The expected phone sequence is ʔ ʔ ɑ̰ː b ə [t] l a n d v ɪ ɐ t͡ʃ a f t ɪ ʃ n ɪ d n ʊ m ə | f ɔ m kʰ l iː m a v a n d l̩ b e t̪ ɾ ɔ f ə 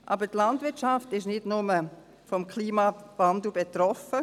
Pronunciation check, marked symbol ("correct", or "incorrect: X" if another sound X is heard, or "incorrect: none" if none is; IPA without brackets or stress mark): correct